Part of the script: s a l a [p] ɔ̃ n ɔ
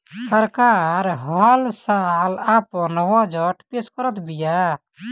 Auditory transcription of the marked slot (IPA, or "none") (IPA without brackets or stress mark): p